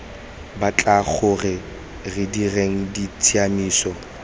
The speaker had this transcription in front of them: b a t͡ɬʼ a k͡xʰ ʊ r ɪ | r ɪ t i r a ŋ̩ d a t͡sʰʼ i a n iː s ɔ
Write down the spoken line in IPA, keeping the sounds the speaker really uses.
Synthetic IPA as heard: b a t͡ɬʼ a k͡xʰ ʊ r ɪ | r ɪ d i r e ŋ̩ d i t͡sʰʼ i a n iː s ɔ